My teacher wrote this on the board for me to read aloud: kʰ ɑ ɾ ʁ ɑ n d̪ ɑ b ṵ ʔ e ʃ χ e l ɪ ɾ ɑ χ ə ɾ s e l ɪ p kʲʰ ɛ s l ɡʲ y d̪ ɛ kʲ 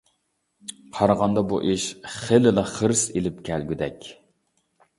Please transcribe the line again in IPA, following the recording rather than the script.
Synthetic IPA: qʰ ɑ ɾ ʁ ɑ n d̪ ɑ b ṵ ʔ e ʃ χ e l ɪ l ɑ χ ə ɾ s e l ɪ p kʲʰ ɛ l ɡʲ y d̪ ɛ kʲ